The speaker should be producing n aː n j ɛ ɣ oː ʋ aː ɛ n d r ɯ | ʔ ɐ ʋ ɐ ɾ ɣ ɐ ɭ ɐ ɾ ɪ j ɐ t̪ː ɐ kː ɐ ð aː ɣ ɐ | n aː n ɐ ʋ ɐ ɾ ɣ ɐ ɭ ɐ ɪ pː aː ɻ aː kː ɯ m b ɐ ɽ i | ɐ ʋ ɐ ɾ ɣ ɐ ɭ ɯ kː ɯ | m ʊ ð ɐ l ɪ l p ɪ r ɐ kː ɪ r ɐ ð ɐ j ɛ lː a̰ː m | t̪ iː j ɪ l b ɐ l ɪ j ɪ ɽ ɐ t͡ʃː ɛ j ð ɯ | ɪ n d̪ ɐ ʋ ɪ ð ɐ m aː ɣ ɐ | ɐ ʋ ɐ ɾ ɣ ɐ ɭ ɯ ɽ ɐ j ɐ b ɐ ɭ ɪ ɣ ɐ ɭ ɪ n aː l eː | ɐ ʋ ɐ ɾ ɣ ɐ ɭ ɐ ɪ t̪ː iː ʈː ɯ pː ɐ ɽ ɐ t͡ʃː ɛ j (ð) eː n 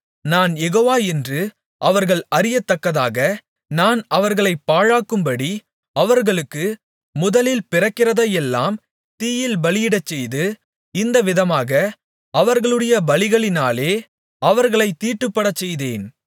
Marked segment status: correct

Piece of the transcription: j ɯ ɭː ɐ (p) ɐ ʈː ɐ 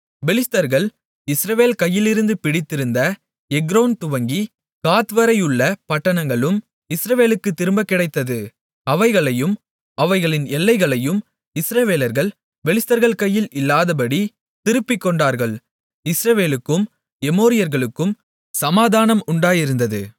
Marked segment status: correct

